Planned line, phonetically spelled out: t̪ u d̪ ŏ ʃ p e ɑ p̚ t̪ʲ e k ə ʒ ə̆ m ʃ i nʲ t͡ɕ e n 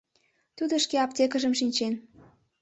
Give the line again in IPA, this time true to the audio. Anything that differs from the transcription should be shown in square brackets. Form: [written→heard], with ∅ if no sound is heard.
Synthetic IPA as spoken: t̪ u d̪ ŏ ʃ [p→k] e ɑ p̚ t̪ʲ e k ə ʒ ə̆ m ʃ i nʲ t͡ɕ e n